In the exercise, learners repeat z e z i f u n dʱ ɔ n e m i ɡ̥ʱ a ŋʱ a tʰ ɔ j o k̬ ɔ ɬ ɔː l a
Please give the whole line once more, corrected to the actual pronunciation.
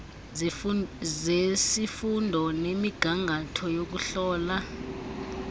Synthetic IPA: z e s i f u n dʱ ɔ n e m i ɡ̥ʱ a ŋʱ a tʰ ɔ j o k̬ u ɬ ɔː l a